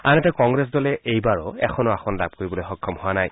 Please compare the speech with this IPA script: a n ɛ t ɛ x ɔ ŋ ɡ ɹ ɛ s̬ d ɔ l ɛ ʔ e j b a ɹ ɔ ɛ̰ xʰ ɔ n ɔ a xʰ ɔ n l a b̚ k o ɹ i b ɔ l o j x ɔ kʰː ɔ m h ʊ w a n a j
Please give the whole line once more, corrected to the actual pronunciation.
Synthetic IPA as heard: a n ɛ t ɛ k ɔ ŋ ɡ ɹ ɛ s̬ d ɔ l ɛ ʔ e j b a ɹ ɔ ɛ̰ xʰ ɔ n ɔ a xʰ ɔ n l a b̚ k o ɹ i b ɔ l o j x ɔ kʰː ɔ m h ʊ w a n a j

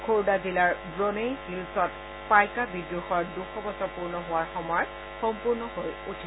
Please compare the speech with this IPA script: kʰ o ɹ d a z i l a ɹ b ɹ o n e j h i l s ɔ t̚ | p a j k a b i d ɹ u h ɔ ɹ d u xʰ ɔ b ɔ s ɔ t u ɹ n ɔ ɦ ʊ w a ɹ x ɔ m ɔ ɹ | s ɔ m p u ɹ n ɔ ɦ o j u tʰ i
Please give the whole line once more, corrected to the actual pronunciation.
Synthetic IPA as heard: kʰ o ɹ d a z i l a ɹ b ɹ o n e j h i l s ɔ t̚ | p a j k a b i d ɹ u x ɔ ɹ d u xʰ ɔ b ɔ s ɔ p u ɹ n ɔ ɦ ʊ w a ɹ x ɔ m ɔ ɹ | x ɔ m p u ɹ n ɔ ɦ o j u tʰ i

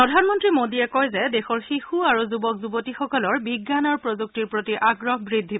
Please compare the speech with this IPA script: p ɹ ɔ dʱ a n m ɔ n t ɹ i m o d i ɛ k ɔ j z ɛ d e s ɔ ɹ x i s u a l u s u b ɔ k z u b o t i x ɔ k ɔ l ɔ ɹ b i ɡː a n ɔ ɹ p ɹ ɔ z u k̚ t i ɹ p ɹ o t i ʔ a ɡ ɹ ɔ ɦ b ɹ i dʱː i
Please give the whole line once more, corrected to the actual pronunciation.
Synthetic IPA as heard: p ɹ ɔ dʱ a n m ɔ n t ɹ i m o d i ɛ k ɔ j z ɛ d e x ɔ ɹ x i x u a ɹ u z u b ɔ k z u b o t i x ɔ k ɔ l ɔ ɹ b i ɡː a n ɔ ɹ p ɹ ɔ z u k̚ t i ɹ p ɹ o t i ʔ a ɡ ɹ ɔ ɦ b ɹ i dʱː i

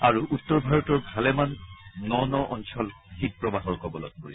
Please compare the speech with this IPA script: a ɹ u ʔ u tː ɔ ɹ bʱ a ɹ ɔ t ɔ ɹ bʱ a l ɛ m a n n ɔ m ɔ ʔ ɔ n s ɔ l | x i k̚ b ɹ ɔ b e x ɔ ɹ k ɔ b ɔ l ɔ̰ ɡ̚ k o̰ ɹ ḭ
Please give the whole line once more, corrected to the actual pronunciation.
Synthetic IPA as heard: a ɹ u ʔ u tː ɔ ɹ bʱ a ɹ ɔ t ɔ ɹ bʱ a l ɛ m a n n ɔ n ɔ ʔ ɔ n s ɔ l | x i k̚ p ɹ ɔ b a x ɔ ɹ k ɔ b ɔ l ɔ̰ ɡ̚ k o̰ ɹ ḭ

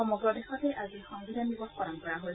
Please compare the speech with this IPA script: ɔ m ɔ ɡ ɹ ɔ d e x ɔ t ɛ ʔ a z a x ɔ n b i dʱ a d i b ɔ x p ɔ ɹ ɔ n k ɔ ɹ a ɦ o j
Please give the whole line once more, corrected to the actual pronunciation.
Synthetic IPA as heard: ɔ m ɔ ɡ ɹ ɔ d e x ɔ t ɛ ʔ a z i x ɔ ŋ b i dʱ a n i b ɔ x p ɔ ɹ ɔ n k ɔ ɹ a ɦ o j

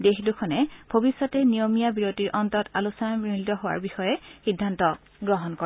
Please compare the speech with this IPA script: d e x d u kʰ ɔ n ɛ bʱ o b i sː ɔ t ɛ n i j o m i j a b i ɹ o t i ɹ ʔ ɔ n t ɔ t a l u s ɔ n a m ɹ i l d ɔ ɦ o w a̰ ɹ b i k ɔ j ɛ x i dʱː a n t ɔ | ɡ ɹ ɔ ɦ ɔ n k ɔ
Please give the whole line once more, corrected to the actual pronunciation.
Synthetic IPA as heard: d e x d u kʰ ɔ n ɛ bʱ o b i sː ɔ t ɛ n i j o m i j a b i ɹ o t i ɹ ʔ ɔ n t ɔ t a l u s ɔ n a m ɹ i l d ɔ ɦ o w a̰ ɹ b i x ɔ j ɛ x i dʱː a n t ɔ | ɡ ɹ ɔ ɦ ɔ n k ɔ

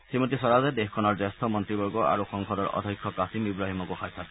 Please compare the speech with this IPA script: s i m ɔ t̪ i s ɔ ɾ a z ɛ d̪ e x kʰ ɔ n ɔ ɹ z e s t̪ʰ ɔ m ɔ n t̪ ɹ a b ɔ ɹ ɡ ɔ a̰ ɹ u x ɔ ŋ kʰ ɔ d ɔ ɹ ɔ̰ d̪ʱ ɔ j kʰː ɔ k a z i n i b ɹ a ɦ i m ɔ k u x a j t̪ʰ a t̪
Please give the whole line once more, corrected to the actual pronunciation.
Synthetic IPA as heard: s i m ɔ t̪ i s ɔ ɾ a z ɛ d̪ e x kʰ ɔ n ɔ ɹ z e s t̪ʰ ɔ m ɔ n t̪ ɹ i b ɔ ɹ ɡ ɔ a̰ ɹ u x ɔ ŋ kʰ ɔ d ɔ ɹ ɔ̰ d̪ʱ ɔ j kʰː ɔ k a s i m i b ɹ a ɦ i m ɔ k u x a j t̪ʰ a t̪

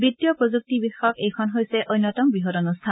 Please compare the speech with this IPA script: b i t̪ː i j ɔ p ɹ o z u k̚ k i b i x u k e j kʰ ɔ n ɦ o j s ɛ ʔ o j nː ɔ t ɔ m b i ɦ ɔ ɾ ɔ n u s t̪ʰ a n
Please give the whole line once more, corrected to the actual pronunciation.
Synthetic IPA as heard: b i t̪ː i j ɔ p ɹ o z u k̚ t i b i x ɔ k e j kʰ ɔ n ɦ o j s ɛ ʔ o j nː ɔ t ɔ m b i ɦ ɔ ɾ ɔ n u s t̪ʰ a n

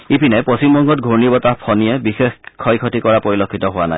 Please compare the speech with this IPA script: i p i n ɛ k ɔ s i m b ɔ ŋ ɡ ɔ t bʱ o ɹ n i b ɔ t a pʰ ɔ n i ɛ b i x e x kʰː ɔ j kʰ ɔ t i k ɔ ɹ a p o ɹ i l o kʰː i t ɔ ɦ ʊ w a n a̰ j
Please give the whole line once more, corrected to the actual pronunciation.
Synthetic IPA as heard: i p i n ɛ p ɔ s i m b ɔ ŋ ɡ ɔ t ɡʱ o ɹ n i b ɔ t a pʰ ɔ n i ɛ b i x e x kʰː ɔ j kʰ ɔ t i k ɔ ɹ a p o ɹ i l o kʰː i t ɔ ɦ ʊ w a n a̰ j

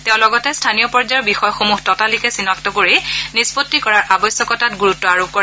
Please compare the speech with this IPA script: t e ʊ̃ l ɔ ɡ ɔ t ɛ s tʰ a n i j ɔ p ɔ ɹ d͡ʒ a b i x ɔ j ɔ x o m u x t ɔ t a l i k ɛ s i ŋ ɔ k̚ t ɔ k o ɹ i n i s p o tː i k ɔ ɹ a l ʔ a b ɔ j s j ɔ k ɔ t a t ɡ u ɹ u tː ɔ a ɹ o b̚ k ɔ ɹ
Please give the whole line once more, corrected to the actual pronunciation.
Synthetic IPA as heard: t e ʊ̃ l ɔ ɡ ɔ t ɛ s tʰ a n i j ɔ p ɔ ɹ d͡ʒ a b i x ɔ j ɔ x o m u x t ɔ t a l i k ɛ s i n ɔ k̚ t ɔ k o ɹ i n i s p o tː i k ɔ ɹ a ɹ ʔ a b ɔ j s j ɔ k ɔ t a t ɡ u ɹ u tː ɔ a ɹ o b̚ k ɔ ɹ

